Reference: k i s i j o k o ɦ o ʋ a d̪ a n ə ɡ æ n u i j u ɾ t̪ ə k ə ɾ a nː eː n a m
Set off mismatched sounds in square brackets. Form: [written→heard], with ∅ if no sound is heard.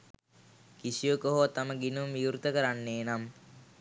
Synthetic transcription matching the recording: k i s i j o k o ɦ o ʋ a [d̪→t̪] a [n→m] ə ɡ [æ→i] n u i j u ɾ t̪ ə k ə ɾ a nː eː n a m